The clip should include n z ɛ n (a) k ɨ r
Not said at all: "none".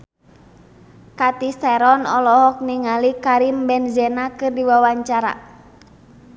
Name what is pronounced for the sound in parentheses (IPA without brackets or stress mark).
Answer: a